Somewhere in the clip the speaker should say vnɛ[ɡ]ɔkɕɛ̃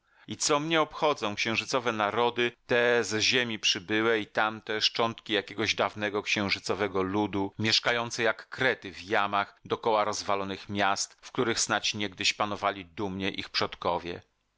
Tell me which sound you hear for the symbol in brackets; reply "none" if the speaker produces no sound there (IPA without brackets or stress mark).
ɡ